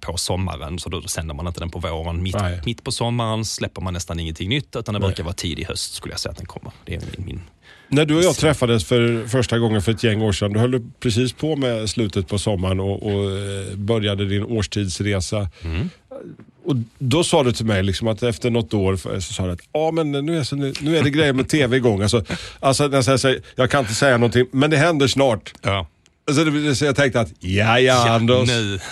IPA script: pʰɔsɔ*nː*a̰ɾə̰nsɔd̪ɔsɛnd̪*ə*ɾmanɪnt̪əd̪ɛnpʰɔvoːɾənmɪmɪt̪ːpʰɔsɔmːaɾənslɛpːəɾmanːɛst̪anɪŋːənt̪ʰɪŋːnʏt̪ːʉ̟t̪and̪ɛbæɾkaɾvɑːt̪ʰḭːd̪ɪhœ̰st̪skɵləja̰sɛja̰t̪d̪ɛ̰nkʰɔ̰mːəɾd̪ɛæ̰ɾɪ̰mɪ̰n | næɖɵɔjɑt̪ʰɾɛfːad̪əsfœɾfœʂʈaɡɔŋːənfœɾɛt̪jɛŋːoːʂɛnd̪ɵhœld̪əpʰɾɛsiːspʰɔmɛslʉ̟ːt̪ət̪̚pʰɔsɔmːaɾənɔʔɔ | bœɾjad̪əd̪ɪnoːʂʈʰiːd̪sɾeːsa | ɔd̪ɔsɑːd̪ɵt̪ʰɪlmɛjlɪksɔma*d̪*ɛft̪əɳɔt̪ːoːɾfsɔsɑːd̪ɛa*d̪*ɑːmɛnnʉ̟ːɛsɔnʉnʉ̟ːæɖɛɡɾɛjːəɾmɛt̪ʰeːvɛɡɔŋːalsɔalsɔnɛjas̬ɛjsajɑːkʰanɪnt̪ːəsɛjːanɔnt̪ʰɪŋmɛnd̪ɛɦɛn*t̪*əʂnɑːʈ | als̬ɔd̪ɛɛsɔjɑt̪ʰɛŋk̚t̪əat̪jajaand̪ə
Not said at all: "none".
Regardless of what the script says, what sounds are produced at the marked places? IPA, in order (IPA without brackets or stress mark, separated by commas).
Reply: mː, ə, t̪, t̪, d̪